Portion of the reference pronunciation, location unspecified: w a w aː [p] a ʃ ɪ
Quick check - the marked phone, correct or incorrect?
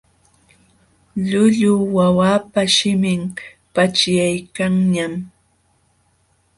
correct